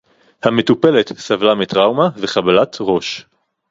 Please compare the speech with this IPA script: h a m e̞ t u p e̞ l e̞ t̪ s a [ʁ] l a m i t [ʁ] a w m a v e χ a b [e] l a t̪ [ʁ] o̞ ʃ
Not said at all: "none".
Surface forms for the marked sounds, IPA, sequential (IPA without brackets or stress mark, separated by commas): v, ʁ, a, ʁ